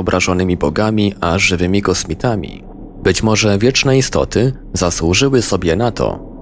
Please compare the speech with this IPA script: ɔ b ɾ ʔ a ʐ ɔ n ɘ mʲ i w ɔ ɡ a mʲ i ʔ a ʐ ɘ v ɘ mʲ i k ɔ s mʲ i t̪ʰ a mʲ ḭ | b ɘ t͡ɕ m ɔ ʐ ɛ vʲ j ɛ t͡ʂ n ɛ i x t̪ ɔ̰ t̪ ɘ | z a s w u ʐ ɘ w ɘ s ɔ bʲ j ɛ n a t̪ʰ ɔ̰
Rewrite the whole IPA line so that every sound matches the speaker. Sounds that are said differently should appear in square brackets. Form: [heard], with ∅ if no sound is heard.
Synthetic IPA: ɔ b ɾ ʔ a ʐ ɔ n ɘ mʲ i [b] ɔ ɡ a mʲ i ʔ a ʐ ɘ v ɘ mʲ i k ɔ s mʲ i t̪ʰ a mʲ ḭ | b ɘ t͡ɕ m ɔ ʐ ɛ vʲ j ɛ t͡ʂ n ɛ i [s] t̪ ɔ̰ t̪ ɘ | z a s w u ʐ ɘ w ɘ s ɔ bʲ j ɛ n a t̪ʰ ɔ̰